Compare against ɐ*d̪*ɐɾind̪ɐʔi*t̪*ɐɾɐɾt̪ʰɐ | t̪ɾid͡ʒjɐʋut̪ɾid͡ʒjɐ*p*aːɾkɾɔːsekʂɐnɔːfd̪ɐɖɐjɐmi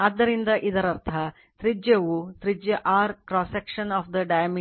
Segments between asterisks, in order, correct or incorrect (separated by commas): incorrect, incorrect, incorrect